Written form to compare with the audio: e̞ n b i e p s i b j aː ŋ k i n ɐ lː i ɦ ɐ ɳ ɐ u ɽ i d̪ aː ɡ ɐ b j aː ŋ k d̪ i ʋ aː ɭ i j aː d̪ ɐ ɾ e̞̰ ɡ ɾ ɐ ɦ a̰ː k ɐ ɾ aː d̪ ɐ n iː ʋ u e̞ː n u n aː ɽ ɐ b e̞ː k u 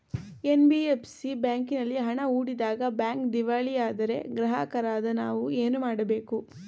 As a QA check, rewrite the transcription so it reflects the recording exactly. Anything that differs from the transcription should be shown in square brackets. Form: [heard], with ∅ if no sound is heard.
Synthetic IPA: e̞ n b i e p s i b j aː ŋ k i n ɐ lː i ɦ ɐ ɳ ɐ [uː] ɽ i d̪ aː ɡ ɐ b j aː ŋ k d̪ i ʋ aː ɭ i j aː d̪ ɐ ɾ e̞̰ ɡ ɾ ɐ ɦ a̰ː k ɐ ɾ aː d̪ ɐ n [aː] ʋ u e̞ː n u [m] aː ɽ ɐ b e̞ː k u